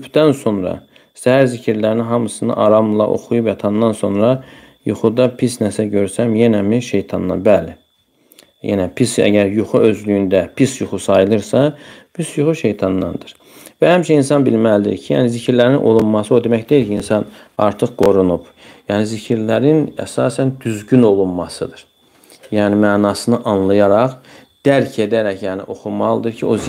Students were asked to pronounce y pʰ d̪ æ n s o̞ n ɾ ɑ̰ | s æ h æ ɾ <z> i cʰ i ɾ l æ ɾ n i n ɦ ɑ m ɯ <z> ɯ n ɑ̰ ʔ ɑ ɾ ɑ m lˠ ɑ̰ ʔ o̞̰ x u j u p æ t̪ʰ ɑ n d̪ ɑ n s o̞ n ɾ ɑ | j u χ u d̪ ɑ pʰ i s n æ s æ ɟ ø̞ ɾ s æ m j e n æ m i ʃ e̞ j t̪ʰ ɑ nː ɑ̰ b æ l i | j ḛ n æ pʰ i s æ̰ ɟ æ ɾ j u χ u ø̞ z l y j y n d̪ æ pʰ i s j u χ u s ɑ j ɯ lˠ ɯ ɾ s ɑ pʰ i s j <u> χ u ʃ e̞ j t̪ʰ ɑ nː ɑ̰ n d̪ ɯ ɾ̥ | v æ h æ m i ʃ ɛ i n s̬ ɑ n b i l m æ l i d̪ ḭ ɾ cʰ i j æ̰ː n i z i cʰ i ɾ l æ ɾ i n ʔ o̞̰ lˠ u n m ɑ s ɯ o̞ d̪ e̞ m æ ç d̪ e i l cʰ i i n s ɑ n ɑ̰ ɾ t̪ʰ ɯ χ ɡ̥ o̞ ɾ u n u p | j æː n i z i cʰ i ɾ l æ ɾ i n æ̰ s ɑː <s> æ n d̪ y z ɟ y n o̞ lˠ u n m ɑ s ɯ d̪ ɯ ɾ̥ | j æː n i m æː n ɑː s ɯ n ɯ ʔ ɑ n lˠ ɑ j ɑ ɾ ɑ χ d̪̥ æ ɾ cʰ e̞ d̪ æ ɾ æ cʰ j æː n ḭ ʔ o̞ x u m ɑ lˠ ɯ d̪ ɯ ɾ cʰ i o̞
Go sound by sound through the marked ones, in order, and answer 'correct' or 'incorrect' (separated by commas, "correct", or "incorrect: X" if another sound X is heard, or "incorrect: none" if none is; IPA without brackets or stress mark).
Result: correct, incorrect: s, correct, correct